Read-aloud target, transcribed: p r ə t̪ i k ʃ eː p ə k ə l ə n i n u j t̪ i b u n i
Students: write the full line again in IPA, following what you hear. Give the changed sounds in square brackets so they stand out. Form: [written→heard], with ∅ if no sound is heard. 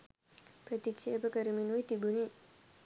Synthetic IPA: p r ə t̪ i k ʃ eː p ə k ə [l→ɾ] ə [n→m] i n u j t̪ i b u n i